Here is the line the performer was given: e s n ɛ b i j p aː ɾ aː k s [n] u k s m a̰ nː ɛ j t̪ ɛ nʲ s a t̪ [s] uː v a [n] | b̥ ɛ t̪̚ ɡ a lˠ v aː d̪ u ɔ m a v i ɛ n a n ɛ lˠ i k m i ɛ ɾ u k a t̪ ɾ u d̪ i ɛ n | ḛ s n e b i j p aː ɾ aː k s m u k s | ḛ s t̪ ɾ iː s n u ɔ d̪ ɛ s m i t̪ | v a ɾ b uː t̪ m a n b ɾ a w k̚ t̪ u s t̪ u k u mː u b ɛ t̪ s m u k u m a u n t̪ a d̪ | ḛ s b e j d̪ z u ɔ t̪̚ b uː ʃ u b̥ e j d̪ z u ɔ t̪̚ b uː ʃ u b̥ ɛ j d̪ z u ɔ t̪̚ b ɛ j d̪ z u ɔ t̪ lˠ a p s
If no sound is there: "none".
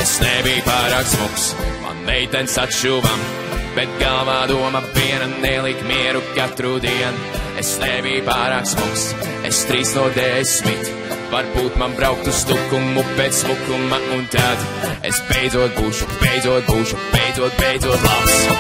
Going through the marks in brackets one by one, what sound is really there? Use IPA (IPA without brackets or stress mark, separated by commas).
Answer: m, ʃ, m